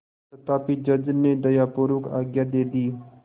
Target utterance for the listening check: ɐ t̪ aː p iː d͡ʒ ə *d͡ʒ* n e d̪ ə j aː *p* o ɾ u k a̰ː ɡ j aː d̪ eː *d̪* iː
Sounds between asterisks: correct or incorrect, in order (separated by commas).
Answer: correct, correct, correct